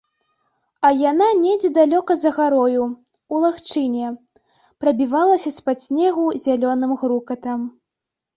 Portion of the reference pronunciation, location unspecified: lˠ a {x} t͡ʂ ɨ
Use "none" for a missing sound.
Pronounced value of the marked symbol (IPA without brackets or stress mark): x